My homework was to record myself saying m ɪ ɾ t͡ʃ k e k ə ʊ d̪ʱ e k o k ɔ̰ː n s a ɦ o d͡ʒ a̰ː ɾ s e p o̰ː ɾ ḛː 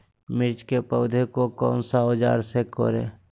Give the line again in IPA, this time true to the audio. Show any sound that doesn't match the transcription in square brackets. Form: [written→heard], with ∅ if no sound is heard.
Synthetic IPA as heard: m ɪ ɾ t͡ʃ k e [k→p] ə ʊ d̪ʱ e k o k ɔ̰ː n s a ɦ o d͡ʒ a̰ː ɾ s e [p→k] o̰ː ɾ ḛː